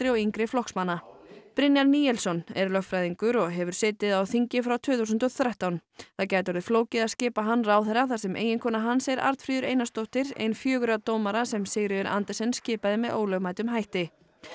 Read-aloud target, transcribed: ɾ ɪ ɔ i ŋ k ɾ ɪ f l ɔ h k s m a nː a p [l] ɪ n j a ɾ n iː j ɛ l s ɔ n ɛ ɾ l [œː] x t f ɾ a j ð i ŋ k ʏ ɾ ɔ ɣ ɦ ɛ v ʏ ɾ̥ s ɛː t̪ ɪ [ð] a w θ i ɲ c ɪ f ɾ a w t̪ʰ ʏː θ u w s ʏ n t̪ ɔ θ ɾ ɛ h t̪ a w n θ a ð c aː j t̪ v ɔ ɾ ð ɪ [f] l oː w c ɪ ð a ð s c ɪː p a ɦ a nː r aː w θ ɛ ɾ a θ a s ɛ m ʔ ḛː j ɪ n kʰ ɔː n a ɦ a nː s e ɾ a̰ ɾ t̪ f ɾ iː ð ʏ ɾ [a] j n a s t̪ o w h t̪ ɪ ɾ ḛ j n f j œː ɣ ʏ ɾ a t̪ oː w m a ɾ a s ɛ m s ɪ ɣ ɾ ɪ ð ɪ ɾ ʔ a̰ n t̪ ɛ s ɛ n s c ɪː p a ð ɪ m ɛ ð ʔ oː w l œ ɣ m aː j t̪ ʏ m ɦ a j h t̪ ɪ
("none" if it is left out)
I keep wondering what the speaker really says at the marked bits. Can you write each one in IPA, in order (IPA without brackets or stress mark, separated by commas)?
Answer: ɾ, œ, ð, f, e